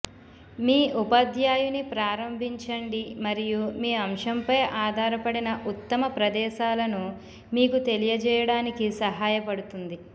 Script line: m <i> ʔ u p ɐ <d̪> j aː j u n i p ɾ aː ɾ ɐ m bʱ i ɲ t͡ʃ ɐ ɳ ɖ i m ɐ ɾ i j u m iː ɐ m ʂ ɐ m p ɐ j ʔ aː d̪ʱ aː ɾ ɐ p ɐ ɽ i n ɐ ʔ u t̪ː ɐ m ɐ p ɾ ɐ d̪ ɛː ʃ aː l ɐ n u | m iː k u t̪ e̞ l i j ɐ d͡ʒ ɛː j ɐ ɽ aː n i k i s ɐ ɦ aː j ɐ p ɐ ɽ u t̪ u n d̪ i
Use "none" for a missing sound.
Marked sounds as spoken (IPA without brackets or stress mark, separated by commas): iː, d̪